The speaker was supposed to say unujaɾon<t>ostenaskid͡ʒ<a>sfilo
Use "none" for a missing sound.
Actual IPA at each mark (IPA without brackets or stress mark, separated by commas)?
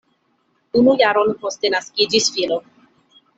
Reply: p, i